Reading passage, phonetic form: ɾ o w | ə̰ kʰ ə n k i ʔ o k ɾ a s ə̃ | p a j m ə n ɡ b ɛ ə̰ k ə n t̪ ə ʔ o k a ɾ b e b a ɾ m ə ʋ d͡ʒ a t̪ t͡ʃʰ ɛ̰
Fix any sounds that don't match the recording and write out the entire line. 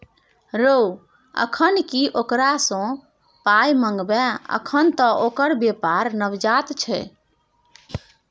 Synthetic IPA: ɾ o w | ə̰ kʰ ə n k i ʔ o k ɾ a s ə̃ | p a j m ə ŋ ɡ b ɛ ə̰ kʰ ə n t̪ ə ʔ o k ə ɾ b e p a ɾ n ə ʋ d͡ʒ a t̪ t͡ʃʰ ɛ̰

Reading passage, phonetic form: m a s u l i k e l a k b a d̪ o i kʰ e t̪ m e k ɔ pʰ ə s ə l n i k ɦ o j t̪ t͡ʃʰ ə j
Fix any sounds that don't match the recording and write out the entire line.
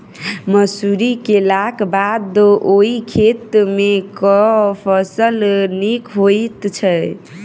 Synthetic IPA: m ə s u ɾ i k e l a k b a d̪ o i kʰ e t̪ m e k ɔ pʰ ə s ə l n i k ɦ o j t̪ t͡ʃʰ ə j

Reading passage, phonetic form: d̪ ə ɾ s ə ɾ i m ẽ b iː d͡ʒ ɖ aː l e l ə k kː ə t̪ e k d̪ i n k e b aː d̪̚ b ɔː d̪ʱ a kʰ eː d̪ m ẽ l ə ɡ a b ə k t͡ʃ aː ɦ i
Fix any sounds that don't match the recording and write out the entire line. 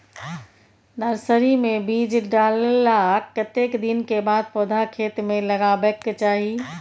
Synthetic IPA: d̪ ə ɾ s ə ɾ i m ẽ b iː d͡ʒ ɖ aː l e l a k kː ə t̪ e k d̪ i n k e b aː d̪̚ p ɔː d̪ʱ a kʰ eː t̪ m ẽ l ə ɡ a b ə k t͡ʃ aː ɦ i

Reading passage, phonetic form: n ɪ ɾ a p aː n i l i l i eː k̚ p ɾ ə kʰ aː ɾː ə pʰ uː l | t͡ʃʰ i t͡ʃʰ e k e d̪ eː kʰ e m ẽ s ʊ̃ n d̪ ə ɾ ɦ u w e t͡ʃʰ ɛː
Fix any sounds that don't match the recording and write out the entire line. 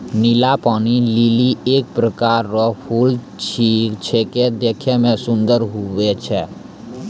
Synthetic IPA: n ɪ l a p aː n i l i l i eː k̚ p ɾ ə k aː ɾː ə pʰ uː l | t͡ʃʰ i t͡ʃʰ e k e d̪ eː kʰ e m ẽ s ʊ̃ n d̪ ə ɾ ɦ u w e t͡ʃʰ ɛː

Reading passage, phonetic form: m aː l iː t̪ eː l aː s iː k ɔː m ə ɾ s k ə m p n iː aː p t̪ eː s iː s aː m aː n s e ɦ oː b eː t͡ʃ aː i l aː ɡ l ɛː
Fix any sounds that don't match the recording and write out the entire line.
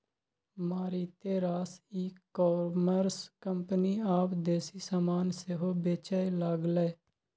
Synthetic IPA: m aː ɾ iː t̪ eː ɾ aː s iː k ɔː m ə ɾ s k ə m p n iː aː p d̪ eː s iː s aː m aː n s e ɦ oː b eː t͡ʃ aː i l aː ɡ l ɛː

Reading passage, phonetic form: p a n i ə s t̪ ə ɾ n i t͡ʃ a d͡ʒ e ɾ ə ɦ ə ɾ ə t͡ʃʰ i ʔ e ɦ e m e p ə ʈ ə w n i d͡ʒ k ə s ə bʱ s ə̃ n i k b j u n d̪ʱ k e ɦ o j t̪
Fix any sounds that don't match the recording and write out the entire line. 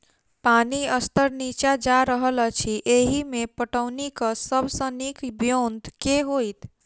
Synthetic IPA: p a n i ə s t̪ ə ɾ n i t͡ʃ a d͡ʒ a ɾ ə ɦ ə l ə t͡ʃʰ i ʔ e ɦ i m e p ə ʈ ə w n i k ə s ə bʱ s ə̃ n i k b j o n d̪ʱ k e ɦ o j t̪

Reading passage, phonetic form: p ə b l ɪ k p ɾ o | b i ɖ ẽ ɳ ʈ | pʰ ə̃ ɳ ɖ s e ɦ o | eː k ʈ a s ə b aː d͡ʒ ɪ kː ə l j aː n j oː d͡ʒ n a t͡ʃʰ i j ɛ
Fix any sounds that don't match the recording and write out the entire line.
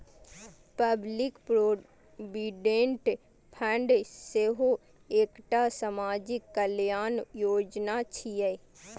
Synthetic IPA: p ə b l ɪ k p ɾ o | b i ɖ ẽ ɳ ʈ | pʰ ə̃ ɳ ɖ s e ɦ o | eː k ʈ a s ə m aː d͡ʒ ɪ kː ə l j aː n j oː d͡ʒ n a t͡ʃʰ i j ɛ

